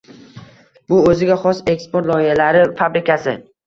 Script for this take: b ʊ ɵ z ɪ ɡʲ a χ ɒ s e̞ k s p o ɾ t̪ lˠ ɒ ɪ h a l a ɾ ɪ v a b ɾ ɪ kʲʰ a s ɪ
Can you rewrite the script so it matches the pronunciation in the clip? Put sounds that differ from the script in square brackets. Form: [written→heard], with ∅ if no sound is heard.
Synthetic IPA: b ʊ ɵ z ɪ ɡʲ a χ ɒ s e̞ k s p o ɾ t̪ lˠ ɒ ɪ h a l a ɾ ɪ [v→f] a b ɾ ɪ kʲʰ a s ɪ

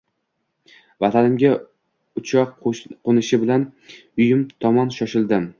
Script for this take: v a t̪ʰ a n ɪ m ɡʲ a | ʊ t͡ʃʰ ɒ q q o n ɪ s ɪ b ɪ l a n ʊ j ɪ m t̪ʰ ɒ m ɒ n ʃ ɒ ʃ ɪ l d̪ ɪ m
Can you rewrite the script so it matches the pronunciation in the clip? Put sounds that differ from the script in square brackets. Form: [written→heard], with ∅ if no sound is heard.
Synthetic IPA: v a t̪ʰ a n ɪ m ɡʲ a | ʊ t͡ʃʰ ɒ q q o n ɪ [s→ʃ] ɪ b ɪ l a n ʊ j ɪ m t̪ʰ ɒ m ɒ n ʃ ɒ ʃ ɪ l d̪ ɪ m

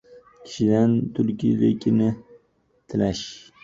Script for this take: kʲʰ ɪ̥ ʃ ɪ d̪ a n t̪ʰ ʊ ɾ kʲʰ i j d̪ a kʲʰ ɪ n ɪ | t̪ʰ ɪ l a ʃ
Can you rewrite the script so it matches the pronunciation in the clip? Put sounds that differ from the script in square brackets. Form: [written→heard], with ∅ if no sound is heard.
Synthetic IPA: kʲʰ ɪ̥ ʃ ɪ d̪ a n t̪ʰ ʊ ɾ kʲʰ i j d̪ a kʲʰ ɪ n ɪ | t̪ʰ ɪ l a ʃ

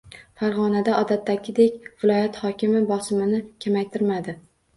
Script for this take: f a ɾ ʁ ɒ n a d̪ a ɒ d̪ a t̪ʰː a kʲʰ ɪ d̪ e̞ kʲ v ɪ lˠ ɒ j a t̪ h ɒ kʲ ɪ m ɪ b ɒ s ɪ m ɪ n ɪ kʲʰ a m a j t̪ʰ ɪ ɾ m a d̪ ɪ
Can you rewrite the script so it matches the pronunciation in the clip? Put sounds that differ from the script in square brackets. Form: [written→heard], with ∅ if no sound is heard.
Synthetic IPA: f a ɾ ʁ ɒ n a d̪ a ɒ d̪ a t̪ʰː a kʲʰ ɪ d̪ e̞ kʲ v ɪ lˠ ɒ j a t̪ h ɒ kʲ ɪ m ɪ b ɒ s ɪ m ɪ n ɪ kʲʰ a m a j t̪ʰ ɪ ɾ m a d̪ ɪ

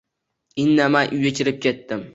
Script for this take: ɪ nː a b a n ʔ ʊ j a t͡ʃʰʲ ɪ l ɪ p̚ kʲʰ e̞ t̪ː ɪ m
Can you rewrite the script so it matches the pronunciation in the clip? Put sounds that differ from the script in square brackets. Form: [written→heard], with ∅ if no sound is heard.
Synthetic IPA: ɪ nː a [b→m] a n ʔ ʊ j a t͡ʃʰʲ ɪ [l→ɾ] ɪ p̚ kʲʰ e̞ t̪ː ɪ m

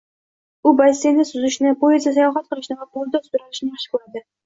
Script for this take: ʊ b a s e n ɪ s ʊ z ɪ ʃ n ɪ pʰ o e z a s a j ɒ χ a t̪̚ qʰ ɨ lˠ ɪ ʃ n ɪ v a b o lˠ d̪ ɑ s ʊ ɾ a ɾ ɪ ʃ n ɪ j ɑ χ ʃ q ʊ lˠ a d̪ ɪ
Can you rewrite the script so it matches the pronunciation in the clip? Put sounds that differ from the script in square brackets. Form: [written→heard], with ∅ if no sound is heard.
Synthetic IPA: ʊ b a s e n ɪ s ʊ z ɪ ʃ n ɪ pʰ o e z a s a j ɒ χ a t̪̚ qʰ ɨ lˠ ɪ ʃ n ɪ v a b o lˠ d̪ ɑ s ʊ ɾ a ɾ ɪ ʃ n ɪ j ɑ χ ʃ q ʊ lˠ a d̪ ɪ

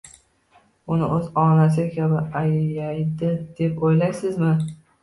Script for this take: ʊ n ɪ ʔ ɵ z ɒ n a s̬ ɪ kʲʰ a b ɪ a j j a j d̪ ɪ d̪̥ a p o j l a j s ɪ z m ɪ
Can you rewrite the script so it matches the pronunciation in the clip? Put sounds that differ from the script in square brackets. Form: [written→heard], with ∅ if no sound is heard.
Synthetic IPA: ʊ n ɪ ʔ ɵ z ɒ n a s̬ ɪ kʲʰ a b ɪ a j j a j d̪ ɪ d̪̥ [a→e] p o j l a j s ɪ z m ɪ

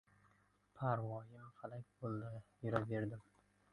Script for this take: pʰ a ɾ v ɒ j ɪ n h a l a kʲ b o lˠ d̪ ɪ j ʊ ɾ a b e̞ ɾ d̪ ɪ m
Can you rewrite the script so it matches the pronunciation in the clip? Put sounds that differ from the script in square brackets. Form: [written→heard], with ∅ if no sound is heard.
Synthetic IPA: pʰ a ɾ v ɒ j ɪ [n→m] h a l a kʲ b o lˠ d̪ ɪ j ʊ ɾ a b e̞ ɾ d̪ ɪ m

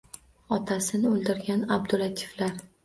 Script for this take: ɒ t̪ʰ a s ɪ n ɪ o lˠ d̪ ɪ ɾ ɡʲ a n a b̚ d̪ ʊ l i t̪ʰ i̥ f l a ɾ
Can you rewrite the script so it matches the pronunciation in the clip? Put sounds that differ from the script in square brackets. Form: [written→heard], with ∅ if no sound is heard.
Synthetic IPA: ɒ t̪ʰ a s ɪ n ɪ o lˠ d̪ ɪ ɾ ɡʲ a n a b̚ d̪ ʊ l [i→a] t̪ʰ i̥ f l a ɾ

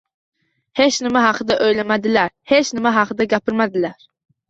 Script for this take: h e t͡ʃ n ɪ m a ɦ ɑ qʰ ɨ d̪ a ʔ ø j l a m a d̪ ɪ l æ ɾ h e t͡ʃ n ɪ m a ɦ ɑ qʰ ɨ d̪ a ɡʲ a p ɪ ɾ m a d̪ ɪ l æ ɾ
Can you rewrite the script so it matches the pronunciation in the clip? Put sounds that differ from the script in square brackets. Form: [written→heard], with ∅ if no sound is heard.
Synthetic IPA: h e t͡ʃ n ɪ m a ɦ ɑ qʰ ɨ d̪ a ʔ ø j l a m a d̪ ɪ l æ ɾ h e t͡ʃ n ɪ m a ɦ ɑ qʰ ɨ d̪ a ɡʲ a p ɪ ɾ m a d̪ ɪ l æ ɾ

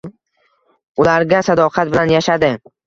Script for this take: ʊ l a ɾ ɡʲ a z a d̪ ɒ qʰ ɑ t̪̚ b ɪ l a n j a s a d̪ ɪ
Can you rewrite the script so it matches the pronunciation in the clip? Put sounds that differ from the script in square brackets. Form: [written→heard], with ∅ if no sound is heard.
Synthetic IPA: ʊ l a ɾ ɡʲ a [z→s] a d̪ ɒ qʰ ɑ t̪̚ b ɪ l a n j a [s→ʃ] a d̪ ɪ

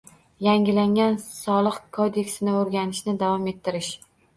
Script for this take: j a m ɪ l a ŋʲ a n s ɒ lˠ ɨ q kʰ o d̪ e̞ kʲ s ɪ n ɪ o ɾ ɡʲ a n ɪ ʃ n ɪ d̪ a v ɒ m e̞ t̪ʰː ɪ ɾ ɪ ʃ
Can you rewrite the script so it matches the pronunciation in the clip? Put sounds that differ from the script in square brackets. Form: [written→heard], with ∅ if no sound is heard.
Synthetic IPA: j a [m→ŋ] ɪ l a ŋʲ a n s ɒ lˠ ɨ q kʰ o d̪ e̞ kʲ s ɪ n ɪ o ɾ ɡʲ a n ɪ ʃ n ɪ d̪ a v ɒ m e̞ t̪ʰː ɪ ɾ ɪ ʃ

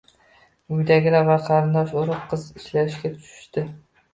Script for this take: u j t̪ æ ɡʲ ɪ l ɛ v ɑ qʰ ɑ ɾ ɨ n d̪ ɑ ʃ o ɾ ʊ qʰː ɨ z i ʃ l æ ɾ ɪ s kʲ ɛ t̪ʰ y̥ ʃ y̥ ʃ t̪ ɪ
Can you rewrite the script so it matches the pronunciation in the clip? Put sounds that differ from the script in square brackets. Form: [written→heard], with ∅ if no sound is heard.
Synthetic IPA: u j [t̪→d̪] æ ɡʲ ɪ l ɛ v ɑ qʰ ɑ ɾ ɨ n d̪ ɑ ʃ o ɾ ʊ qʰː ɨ z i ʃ l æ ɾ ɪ [s→ʃ] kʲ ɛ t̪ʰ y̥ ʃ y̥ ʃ t̪ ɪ

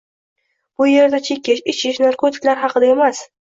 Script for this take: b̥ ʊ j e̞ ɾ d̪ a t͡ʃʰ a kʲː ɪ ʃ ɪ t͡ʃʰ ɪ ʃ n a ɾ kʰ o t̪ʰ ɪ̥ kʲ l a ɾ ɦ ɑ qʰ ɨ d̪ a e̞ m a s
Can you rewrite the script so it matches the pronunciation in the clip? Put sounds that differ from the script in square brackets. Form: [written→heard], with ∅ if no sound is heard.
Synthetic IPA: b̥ ʊ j e̞ ɾ d̪ a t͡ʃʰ [a→e] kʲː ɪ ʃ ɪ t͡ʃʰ ɪ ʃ n a ɾ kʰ o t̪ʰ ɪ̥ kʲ l a ɾ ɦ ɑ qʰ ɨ d̪ a e̞ m a s

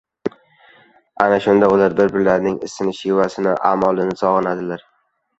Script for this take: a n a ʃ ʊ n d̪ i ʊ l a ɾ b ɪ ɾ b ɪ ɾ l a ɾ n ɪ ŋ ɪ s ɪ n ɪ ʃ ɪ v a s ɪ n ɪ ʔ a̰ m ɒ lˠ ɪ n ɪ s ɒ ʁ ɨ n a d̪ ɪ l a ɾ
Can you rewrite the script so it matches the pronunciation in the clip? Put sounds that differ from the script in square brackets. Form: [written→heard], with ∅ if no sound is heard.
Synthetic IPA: a n a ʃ ʊ n d̪ [i→a] ʊ l a ɾ b ɪ ɾ b ɪ ɾ l a ɾ n ɪ ŋ ɪ s ɪ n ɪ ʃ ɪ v a s ɪ n ɪ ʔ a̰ m ɒ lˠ ɪ n ɪ s ɒ ʁ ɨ n a d̪ ɪ l a ɾ

